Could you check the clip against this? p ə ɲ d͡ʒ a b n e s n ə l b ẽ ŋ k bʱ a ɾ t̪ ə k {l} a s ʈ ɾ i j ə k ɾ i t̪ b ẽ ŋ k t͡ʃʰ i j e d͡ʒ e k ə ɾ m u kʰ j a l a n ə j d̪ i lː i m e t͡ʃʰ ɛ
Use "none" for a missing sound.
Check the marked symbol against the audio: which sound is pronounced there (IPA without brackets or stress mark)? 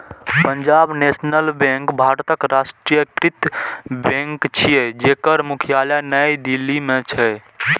ɾ